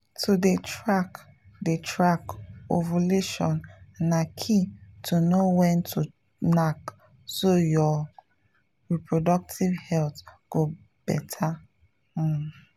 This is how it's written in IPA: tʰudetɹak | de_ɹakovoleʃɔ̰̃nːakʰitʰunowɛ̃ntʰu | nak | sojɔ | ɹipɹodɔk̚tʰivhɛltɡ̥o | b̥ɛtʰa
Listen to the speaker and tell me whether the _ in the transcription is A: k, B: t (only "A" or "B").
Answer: B